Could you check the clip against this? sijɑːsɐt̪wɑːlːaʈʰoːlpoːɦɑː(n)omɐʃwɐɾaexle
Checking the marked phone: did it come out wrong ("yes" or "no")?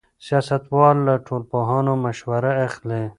no